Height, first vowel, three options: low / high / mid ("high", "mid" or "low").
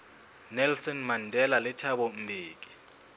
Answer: mid